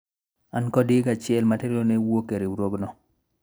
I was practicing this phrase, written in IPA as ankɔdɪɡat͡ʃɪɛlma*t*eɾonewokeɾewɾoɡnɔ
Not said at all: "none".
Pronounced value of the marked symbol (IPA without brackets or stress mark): t